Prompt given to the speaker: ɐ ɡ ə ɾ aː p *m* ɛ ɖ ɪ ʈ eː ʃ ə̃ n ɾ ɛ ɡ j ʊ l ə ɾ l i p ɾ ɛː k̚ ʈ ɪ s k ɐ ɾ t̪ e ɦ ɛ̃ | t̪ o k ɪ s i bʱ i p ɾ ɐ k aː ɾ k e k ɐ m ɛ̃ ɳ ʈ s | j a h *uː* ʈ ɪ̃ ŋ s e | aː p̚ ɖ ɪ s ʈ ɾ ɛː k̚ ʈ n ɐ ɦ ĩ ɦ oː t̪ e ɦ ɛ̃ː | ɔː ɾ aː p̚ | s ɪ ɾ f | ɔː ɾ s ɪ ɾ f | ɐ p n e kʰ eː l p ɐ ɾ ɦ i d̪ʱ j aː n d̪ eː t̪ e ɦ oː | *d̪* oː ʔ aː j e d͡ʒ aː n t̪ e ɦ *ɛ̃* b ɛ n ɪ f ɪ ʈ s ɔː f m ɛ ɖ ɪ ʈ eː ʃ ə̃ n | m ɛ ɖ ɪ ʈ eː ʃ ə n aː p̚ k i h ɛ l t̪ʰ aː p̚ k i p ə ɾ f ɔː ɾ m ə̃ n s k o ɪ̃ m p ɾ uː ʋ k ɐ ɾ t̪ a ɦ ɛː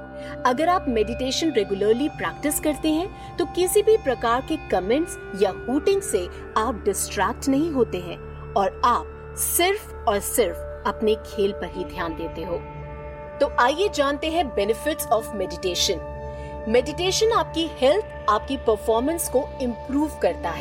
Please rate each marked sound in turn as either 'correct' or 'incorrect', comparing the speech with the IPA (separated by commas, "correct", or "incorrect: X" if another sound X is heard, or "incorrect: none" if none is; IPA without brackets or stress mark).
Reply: correct, correct, incorrect: t̪, correct